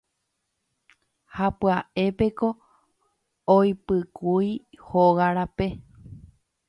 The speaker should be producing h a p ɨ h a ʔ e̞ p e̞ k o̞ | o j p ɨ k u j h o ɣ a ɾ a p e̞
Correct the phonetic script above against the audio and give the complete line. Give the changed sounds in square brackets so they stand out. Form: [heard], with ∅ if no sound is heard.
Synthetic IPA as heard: h a p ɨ [∅] a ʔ e̞ p e̞ k o̞ | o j p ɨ k u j h o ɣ a ɾ a p e̞

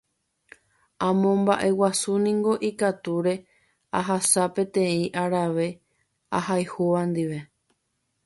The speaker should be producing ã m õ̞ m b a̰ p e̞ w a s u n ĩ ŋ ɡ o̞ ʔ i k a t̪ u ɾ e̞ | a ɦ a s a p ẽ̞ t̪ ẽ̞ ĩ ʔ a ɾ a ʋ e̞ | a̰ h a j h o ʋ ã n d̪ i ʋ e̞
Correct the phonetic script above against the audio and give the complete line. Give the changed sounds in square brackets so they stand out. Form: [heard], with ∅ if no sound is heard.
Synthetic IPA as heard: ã m õ̞ m b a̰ [ʔ] e̞ w a s u n ĩ ŋ ɡ o̞ ʔ i k a t̪ u ɾ e̞ | a ɦ a s a p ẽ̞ t̪ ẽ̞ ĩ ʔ a ɾ a ʋ e̞ | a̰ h a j h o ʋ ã n d̪ i ʋ e̞

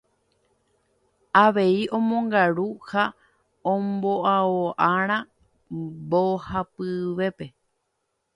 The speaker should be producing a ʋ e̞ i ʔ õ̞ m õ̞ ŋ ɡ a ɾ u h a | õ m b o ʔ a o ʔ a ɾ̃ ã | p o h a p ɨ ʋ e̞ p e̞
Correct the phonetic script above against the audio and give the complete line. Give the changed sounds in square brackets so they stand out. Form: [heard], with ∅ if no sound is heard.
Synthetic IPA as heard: a ʋ e̞ i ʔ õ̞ m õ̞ ŋ ɡ a ɾ u h a | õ m b o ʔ a o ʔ a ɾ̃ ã | [b] o h a p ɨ ʋ e̞ p e̞

